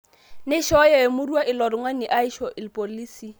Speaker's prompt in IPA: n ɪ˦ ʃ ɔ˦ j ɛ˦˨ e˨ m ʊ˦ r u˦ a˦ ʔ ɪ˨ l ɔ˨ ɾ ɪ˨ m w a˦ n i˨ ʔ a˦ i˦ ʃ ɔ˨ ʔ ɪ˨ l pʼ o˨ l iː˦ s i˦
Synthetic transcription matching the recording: n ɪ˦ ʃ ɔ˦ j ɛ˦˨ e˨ m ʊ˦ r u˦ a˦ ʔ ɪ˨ l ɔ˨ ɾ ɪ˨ ŋ w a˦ n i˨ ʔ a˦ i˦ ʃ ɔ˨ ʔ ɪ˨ l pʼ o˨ l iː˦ s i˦